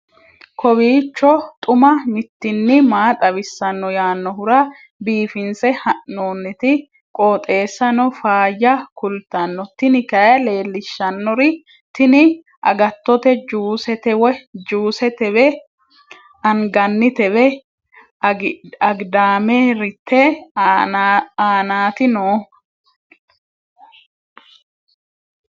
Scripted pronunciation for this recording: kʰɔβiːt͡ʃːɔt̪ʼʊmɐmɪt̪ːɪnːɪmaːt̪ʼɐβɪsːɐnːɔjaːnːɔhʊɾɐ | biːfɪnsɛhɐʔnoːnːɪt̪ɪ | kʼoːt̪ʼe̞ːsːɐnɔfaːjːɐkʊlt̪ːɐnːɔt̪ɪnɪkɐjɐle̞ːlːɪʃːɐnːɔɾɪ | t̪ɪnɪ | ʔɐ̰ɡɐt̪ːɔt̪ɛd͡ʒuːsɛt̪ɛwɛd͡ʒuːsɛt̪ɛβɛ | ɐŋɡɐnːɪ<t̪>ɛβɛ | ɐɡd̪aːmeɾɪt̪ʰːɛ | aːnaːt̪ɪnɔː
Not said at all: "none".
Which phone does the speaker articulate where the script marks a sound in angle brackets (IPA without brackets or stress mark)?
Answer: t̪